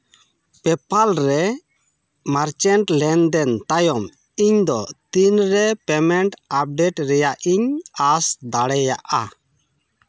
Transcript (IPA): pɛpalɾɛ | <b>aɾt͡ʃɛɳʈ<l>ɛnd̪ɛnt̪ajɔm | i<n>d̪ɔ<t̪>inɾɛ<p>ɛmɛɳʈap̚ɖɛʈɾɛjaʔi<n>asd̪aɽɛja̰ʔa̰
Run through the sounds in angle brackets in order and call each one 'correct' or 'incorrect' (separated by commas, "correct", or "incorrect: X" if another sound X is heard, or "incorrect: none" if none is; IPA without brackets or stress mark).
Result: incorrect: m, correct, incorrect: ɲ, correct, correct, incorrect: ɲ